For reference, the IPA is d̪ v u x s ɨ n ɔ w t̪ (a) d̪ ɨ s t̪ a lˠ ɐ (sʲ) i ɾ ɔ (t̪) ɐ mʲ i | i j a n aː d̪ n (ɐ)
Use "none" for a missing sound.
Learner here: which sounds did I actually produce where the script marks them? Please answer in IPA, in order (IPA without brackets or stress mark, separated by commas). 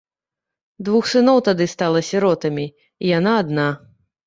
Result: a, sʲ, t̪, a